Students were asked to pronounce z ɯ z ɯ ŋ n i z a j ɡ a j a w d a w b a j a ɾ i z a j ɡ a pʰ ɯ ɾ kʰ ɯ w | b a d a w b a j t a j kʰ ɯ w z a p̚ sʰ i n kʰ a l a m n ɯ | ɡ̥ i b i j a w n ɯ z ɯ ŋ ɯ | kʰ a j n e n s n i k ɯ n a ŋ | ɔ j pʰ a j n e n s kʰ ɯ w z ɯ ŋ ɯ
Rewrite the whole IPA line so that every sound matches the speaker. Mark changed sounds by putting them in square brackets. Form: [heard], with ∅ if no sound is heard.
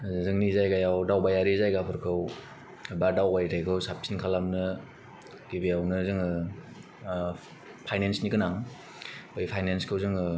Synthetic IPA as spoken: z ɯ z ɯ ŋ n i z a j ɡ a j a w d a w b a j a ɾ i z a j ɡ a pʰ ɯ ɾ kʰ ɯ w | b a d a w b a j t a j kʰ ɯ w [s] a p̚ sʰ i n kʰ a l a m n ɯ | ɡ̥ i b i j a w n ɯ z ɯ ŋ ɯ | [pʰ] a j n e n s n i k ɯ n a ŋ | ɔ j pʰ a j n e n s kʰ ɯ w z ɯ ŋ ɯ